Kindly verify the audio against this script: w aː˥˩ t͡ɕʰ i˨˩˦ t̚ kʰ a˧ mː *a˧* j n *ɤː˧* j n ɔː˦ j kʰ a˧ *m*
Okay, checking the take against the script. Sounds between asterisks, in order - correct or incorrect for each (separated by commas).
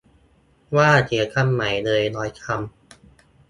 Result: incorrect, correct, correct